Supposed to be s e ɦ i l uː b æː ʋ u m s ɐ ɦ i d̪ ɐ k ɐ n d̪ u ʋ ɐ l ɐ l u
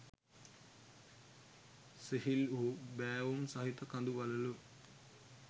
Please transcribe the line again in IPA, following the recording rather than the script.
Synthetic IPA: s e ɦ i l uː b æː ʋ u m s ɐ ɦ i t̪ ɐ k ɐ n d̪ u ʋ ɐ l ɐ l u

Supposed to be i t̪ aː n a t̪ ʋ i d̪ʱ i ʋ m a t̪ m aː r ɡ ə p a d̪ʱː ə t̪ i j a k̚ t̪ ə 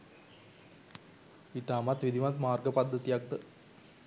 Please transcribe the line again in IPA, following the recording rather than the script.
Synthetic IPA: i t̪ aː m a t̪ ʋ i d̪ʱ i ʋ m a t̪ m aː r ɡ ə p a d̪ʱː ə t̪ i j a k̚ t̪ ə

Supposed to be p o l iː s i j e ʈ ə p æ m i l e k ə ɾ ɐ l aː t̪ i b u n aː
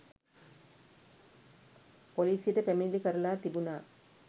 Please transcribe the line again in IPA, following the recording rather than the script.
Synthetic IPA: p o l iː s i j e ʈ ə p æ m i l i k ə ɾ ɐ l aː t̪ i b u n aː

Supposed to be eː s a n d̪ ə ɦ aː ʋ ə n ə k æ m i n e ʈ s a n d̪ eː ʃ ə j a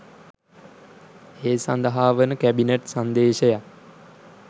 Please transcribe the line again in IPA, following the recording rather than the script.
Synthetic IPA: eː s a n d̪ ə ɦ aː ʋ ə n ə k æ b i n e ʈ s a n d̪ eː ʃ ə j a

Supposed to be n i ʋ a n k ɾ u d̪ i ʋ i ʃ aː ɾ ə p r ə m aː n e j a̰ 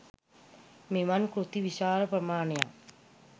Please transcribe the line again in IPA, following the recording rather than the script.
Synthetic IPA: m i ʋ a n k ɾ u t̪ i ʋ i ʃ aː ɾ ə p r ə m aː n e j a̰

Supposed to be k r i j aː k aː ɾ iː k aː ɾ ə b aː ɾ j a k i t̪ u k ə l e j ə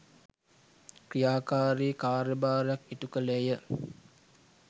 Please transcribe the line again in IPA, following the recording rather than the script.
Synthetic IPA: k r i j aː k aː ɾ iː k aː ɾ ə b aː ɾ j a k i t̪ u k ə l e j ə

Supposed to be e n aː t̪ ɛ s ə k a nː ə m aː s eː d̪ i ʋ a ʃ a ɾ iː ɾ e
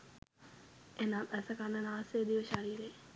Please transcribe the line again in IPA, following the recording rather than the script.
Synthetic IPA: e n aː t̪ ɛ s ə k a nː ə n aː s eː d̪ i ʋ ə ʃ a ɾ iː ɾ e

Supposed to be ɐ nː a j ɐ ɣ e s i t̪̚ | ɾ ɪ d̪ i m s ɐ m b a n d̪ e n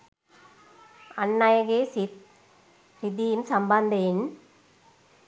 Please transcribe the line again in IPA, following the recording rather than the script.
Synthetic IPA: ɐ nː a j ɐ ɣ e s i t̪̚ | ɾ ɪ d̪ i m s ɐ m b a n d̪ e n

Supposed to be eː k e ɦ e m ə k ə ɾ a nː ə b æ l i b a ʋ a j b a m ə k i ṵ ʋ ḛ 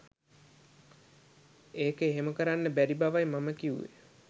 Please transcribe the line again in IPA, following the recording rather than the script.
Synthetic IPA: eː k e ɦ e m ə k ə ɾ a nː ə b æ ɾ i b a ʋ a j m a m ə k i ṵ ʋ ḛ

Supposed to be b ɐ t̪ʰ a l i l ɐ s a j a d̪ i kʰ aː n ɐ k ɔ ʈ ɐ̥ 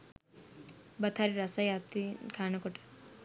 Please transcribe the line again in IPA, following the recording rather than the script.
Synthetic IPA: b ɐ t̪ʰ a ɾ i ɾ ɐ s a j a t̪ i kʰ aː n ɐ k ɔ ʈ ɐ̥

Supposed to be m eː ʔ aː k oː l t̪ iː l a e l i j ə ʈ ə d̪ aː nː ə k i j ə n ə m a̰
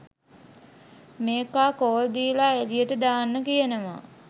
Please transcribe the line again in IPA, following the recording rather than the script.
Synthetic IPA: m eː k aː k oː l d̪ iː l a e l i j ə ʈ ə d̪ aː nː ə k i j ə n ə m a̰

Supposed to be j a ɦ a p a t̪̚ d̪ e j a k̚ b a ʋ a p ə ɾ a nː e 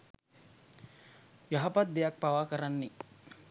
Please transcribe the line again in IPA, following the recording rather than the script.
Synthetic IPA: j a ɦ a p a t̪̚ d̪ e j a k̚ p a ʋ a k ə ɾ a nː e

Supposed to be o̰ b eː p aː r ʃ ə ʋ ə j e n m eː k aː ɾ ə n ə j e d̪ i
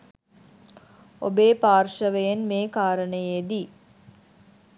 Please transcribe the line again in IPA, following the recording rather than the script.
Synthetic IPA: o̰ b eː p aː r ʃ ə ʋ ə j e n m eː k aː ɾ ə n ə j e d̪ i

